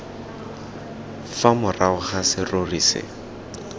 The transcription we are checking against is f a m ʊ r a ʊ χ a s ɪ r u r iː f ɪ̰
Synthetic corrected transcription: f a m ʊ r a ʊ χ a s ɪ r o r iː s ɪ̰

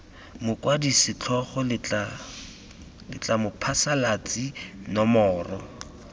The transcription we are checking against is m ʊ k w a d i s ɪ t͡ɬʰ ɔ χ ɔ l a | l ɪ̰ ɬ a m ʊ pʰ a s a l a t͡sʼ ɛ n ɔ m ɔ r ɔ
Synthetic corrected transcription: m ʊ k w a d i s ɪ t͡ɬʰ ɔ χ ɔ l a | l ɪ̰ t͡ɬ a m ʊ pʰ a s a l a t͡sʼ i n ɔ m ɔː r ɔ

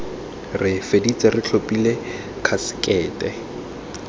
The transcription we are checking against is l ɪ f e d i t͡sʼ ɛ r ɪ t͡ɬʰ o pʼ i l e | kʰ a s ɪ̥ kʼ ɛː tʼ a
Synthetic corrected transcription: r ɪ f e d i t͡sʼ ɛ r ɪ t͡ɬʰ o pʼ i l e | kʰ a s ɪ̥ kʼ ɛː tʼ ɛ

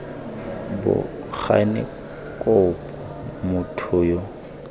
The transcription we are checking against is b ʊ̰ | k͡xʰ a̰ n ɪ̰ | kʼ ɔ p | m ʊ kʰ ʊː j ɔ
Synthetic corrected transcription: b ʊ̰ | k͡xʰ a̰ n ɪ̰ | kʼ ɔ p | m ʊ tʰ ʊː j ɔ

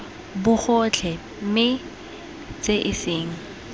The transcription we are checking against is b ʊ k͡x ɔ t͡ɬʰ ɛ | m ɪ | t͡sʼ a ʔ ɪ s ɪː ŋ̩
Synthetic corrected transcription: b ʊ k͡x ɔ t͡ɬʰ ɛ | m ɪ | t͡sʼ e ʔ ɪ s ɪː ŋ̩

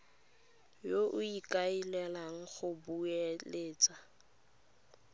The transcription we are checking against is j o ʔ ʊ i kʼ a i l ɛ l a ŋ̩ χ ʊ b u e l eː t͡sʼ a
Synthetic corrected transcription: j o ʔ ʊ i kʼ a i l ɛ l a ŋ̩ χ ʊ b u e l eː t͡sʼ a

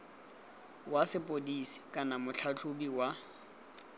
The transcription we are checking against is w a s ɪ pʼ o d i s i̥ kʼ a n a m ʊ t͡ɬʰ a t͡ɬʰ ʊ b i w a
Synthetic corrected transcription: w a s ɪ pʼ o d i s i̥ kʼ a n a m ʊ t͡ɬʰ a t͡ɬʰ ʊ b i w a

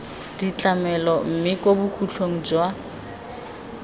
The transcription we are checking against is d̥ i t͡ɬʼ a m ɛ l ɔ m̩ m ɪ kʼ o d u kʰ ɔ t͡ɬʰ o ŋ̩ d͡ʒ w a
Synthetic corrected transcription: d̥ i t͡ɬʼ a m ɛ l ɔ m̩ m ɪ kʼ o b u kʰ u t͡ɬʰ o ŋ̩ d͡ʒ w a

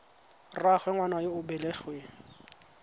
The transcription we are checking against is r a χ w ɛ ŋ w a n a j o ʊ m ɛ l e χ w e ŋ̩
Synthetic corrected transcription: r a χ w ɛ ŋ w a n a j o ʊ b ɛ l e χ w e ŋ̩

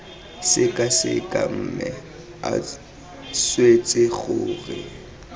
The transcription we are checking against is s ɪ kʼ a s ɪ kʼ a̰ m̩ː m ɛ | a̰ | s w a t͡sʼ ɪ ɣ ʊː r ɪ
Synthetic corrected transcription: s ɪ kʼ a s ɪ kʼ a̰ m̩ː m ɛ | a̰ | s w e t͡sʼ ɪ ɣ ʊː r ɪ

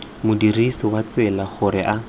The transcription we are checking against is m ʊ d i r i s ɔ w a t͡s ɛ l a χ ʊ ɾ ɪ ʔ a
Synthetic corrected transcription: m ʊ d i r i s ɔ w a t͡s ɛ l a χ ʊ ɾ ɪ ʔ a

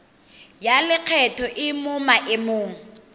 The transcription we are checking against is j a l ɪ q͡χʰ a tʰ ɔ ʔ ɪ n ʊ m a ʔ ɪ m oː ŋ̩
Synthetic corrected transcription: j a l ɪ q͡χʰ ɛ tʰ ɔ ʔ ɪ m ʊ m a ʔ ɪ m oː ŋ̩

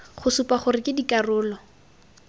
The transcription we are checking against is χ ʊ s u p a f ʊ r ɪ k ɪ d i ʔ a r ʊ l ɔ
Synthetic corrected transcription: χ ʊ s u p a χ ʊ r ɪ k ɪ d i k a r ʊː l ɔ

